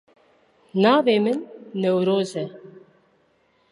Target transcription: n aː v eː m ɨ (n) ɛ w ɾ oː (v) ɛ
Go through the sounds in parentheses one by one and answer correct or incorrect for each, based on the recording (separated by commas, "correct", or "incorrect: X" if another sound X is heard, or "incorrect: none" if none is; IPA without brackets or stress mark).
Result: incorrect: nː, incorrect: z